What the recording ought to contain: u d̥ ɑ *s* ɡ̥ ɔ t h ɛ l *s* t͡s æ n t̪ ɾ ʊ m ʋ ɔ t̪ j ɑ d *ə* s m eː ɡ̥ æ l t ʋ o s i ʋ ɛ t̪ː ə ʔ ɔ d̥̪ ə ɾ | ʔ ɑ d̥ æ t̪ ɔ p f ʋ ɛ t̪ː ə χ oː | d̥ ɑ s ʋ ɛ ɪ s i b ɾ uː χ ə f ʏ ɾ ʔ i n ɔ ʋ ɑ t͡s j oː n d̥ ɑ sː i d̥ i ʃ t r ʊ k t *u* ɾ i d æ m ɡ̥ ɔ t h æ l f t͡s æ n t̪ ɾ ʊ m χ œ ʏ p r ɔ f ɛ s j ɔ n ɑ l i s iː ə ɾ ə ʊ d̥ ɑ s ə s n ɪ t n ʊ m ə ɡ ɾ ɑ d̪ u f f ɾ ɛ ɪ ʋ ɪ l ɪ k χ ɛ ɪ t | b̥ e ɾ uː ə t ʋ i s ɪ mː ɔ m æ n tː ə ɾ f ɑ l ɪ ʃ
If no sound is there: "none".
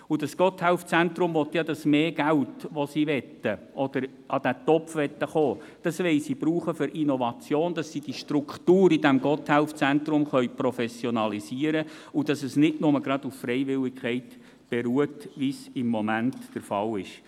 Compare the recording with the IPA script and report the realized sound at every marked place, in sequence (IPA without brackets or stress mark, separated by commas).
s, f, ɑ, uː